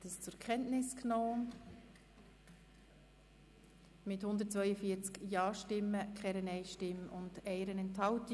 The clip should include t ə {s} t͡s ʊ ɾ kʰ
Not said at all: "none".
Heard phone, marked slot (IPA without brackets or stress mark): s